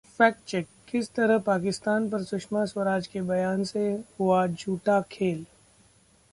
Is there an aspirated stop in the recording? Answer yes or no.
yes